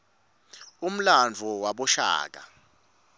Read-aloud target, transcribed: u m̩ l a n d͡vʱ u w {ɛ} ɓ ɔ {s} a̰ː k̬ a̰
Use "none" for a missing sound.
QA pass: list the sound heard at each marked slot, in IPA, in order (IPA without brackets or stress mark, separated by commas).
a, ʃ